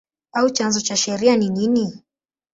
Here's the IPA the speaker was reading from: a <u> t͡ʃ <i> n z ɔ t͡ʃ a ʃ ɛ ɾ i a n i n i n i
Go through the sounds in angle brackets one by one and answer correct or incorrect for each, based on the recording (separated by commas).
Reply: correct, incorrect